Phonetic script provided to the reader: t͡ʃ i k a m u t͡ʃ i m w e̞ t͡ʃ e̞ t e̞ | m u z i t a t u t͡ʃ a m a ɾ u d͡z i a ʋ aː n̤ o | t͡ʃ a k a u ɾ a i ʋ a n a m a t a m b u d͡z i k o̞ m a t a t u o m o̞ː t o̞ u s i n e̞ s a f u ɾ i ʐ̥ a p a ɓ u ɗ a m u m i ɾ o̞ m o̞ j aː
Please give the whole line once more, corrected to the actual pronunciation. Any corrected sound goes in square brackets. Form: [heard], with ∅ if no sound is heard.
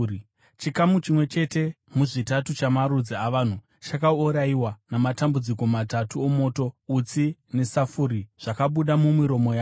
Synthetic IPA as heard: t͡ʃ i k a m u t͡ʃ i m w e̞ t͡ʃ e̞ t e̞ | m u [ʐ] i t a t u t͡ʃ a m a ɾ u d͡z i a ʋ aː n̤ [u] | t͡ʃ a k a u ɾ a i [w] a n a m a t a m b u d͡z i k o̞ m a t a t u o m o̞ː t o̞ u [t͡s] i n e̞ s a f u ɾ i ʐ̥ a [k] a ɓ u ɗ a m u m i ɾ o̞ m o̞ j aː